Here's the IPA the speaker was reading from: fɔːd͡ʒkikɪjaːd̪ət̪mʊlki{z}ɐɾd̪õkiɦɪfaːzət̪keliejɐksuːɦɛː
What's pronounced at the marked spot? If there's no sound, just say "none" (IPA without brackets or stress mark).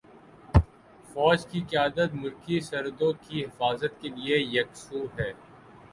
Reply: s